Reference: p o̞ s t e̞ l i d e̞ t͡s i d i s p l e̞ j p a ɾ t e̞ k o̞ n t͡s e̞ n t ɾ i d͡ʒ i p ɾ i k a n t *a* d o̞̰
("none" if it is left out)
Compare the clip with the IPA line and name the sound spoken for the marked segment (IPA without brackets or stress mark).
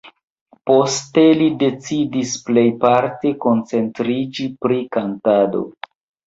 a